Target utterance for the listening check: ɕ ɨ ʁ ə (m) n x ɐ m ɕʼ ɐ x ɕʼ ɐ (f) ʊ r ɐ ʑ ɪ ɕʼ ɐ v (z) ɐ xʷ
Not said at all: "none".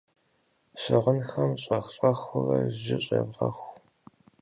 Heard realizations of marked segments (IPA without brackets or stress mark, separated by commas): none, x, ʁ